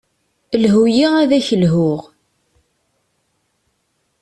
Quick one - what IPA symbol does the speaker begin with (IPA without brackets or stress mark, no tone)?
l